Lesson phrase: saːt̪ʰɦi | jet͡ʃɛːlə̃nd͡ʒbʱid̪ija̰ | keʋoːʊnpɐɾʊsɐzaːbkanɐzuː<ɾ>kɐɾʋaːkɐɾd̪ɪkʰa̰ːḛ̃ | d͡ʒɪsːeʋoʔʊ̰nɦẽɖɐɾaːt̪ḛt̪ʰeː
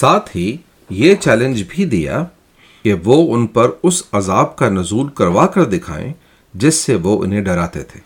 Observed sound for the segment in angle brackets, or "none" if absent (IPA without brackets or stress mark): l